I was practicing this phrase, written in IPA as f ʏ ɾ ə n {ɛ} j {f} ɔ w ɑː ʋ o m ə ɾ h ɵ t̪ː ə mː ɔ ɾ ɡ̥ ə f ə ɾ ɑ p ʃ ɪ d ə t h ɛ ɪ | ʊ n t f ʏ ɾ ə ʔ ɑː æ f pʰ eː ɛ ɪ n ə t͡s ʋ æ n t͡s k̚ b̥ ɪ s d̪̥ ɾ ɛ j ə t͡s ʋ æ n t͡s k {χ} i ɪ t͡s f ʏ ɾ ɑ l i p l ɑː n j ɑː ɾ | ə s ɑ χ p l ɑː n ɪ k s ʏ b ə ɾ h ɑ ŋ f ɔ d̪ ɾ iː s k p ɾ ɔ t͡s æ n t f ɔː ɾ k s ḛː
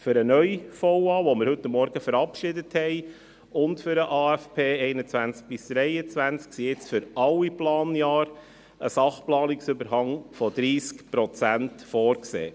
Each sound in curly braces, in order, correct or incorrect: incorrect: œ, correct, incorrect: s

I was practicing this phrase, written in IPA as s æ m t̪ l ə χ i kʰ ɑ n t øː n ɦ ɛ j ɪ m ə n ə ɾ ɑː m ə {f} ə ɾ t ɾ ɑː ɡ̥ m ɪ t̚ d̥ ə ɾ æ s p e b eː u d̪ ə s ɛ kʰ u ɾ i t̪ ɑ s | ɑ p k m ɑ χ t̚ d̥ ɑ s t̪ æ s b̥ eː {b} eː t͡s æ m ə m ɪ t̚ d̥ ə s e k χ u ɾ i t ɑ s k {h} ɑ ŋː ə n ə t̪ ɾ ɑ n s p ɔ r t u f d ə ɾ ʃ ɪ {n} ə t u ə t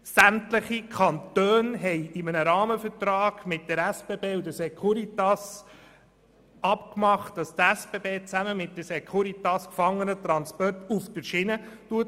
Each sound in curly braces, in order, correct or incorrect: correct, correct, incorrect: f, correct

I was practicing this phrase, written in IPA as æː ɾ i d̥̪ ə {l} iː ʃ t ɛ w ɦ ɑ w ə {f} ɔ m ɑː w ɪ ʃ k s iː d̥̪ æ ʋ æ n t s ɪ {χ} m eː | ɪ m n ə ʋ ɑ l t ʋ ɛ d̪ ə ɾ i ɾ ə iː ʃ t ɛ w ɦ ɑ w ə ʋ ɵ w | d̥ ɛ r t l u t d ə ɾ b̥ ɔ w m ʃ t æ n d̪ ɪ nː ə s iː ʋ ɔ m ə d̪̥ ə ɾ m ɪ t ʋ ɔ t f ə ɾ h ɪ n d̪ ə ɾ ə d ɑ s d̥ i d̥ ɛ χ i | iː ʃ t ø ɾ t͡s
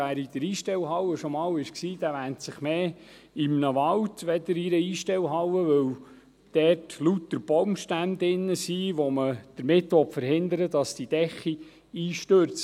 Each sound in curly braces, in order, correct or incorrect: incorrect: ɾ, incorrect: ʃ, correct

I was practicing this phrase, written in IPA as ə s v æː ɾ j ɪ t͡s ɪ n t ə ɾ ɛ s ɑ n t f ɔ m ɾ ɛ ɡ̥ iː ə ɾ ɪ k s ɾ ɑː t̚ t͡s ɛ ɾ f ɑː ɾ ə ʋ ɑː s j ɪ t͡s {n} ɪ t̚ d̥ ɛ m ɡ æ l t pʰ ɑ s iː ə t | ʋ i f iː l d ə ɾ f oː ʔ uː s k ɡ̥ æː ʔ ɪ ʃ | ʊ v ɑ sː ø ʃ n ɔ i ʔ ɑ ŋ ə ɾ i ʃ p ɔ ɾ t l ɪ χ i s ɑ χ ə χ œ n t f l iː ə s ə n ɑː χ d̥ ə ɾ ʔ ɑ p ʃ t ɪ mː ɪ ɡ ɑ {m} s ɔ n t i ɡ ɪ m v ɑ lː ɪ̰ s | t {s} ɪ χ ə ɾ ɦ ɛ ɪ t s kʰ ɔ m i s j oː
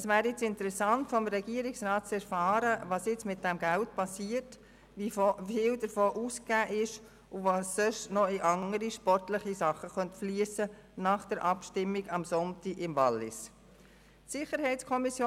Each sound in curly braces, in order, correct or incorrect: incorrect: m, correct, correct

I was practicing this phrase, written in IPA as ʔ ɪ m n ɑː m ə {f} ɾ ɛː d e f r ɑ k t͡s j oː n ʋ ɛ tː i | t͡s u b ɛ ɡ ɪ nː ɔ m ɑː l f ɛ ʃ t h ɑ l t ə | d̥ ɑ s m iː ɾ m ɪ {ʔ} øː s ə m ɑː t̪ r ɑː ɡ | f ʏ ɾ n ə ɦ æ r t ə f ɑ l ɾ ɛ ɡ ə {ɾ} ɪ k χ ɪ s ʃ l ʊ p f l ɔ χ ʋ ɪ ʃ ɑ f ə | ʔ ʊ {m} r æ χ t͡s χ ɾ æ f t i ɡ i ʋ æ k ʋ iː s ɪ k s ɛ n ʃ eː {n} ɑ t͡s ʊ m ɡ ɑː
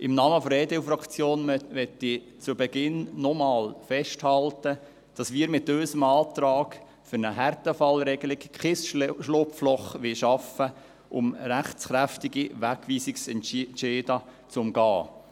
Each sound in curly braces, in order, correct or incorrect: correct, incorrect: t, incorrect: l, correct, incorrect: d

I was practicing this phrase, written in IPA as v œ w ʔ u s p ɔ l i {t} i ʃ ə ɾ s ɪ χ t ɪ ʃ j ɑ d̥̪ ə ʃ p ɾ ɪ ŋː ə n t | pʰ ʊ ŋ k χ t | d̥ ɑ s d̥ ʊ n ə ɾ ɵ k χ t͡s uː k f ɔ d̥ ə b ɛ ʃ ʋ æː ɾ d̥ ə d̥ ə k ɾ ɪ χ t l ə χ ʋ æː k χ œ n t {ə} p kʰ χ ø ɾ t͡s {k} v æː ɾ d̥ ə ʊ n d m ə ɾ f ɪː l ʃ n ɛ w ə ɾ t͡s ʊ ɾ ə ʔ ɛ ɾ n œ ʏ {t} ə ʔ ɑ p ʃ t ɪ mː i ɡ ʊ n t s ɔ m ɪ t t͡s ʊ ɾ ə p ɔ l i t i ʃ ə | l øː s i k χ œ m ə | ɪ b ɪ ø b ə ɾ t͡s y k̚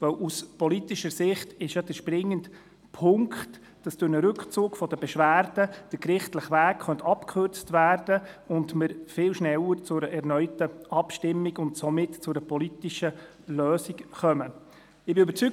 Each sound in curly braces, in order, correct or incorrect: correct, incorrect: ɑ, incorrect: t, correct

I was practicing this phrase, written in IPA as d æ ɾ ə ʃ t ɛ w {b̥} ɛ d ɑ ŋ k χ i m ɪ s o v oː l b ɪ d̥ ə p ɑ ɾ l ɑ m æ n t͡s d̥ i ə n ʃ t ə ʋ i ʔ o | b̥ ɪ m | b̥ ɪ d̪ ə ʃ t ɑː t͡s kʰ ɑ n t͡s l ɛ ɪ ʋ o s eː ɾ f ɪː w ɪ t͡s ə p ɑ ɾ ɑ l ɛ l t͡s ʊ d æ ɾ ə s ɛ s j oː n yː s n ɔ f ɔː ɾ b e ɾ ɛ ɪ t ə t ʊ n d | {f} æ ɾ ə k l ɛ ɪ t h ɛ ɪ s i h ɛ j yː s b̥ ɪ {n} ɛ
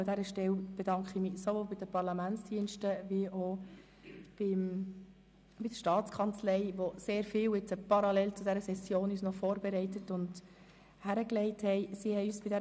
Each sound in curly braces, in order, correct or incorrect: correct, incorrect: h, incorrect: d

